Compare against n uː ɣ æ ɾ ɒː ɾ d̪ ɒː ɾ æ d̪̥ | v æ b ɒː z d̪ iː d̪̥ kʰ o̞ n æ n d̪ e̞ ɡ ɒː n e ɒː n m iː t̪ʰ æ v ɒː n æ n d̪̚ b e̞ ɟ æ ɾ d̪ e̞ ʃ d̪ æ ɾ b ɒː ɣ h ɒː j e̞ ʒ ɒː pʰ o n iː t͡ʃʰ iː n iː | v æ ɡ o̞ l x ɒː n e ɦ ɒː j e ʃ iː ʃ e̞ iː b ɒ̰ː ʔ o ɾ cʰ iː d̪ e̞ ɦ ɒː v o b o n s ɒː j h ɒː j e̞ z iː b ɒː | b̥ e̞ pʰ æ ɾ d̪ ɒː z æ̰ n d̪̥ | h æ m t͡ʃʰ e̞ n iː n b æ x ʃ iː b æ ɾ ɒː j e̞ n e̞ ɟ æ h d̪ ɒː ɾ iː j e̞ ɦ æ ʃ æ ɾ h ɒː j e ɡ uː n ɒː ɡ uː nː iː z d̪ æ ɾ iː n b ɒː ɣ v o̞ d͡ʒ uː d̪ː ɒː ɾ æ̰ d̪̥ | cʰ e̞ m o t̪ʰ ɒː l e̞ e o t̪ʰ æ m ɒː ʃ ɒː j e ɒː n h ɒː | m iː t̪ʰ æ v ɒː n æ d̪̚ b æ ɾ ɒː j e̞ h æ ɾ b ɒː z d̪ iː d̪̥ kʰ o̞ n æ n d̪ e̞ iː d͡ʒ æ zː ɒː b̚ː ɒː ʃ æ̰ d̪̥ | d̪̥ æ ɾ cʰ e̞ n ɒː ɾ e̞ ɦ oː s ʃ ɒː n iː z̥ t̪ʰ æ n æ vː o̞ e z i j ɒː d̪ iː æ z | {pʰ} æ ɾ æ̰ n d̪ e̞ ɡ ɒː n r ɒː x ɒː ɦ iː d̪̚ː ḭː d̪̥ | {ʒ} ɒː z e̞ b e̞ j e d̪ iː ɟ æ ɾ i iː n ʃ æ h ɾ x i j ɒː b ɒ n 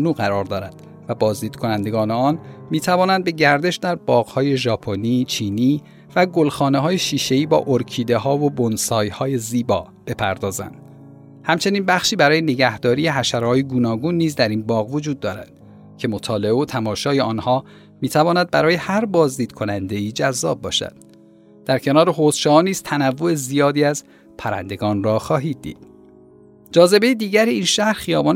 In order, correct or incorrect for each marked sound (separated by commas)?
correct, incorrect